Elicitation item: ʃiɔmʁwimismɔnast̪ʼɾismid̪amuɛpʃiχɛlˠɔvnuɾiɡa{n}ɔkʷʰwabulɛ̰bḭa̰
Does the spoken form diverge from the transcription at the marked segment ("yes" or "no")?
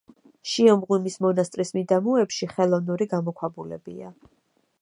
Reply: yes